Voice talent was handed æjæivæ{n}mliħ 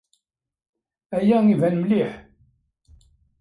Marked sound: correct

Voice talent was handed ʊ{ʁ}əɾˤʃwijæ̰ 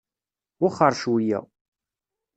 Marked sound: incorrect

